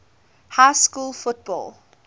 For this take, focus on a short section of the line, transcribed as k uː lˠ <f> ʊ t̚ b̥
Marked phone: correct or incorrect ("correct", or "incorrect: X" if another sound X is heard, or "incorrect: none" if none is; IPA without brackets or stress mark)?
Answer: correct